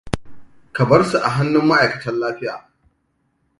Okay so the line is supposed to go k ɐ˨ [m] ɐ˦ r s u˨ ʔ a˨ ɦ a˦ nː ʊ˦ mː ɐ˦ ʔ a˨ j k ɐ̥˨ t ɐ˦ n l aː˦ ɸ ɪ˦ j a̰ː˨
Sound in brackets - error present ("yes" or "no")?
yes